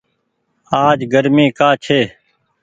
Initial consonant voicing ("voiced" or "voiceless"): voiced